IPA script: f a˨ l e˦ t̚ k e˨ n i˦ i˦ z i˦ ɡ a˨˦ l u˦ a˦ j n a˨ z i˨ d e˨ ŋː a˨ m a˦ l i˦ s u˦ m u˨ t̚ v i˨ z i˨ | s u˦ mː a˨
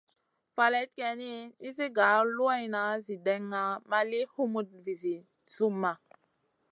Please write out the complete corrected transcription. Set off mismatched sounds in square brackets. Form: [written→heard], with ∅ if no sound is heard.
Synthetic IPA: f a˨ l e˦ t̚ k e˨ n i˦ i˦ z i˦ ɡ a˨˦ l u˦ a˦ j n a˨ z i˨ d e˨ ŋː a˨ m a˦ l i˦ [s→h] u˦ m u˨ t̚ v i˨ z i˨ | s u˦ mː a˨